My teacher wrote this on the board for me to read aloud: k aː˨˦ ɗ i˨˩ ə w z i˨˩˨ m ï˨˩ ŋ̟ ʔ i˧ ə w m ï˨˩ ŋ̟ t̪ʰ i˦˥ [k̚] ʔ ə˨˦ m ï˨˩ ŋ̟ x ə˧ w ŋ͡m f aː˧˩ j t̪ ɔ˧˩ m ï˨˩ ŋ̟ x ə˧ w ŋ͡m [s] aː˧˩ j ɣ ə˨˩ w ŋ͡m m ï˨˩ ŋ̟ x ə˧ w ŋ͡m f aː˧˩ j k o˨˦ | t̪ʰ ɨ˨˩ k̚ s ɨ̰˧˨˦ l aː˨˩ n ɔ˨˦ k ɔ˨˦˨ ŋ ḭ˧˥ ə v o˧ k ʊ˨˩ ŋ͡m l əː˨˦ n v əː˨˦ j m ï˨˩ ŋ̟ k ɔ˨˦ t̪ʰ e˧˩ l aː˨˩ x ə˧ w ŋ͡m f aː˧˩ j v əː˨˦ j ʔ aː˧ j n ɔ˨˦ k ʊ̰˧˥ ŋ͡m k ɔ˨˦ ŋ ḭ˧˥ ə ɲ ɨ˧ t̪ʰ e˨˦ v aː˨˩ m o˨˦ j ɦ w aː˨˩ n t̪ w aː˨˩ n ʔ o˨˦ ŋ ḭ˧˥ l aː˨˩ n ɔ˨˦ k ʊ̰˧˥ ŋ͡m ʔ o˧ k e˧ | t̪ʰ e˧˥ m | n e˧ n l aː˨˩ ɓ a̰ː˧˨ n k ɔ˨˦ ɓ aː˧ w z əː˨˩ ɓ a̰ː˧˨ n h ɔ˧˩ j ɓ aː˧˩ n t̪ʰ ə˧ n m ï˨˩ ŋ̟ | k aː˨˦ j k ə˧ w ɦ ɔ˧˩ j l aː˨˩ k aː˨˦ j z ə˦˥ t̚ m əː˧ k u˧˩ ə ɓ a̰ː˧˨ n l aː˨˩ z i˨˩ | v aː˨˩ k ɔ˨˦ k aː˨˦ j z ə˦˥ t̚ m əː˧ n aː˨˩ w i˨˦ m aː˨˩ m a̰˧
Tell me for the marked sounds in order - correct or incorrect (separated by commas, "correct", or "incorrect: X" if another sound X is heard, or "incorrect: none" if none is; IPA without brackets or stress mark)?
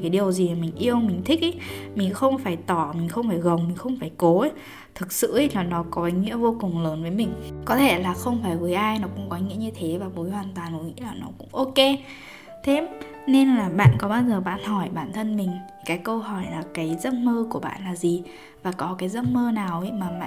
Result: correct, incorrect: f